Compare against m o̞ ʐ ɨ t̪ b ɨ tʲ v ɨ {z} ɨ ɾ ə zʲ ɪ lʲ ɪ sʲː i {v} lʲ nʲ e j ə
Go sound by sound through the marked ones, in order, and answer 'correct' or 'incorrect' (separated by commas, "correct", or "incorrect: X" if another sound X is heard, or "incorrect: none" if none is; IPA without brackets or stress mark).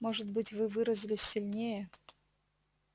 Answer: incorrect: v, incorrect: none